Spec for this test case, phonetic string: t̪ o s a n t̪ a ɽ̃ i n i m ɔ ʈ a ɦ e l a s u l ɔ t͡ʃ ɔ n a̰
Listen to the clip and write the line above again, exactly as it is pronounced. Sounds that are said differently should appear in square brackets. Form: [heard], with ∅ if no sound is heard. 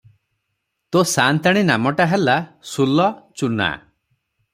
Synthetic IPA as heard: t̪ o s a n t̪ a ɽ̃ i n [a] m ɔ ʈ a ɦ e l a s u l ɔ t͡ʃ [u] n a̰